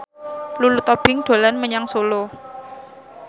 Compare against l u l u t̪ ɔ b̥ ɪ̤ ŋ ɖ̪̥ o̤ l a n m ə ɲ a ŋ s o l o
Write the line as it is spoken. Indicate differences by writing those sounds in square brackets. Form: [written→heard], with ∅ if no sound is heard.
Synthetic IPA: l u l u t̪ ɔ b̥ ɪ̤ ŋ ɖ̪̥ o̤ l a n m ə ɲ a ŋ s o l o